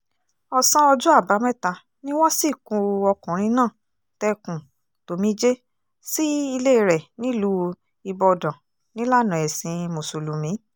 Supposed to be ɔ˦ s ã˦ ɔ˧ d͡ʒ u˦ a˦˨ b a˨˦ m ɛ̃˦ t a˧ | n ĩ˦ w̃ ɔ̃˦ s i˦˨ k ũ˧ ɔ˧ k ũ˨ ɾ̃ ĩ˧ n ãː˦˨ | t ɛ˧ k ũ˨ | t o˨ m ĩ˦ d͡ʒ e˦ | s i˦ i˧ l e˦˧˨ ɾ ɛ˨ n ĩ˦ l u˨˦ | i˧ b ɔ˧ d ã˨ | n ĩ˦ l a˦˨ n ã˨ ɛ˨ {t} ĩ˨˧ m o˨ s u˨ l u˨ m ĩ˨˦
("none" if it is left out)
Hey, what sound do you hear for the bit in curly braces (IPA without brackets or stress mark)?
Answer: s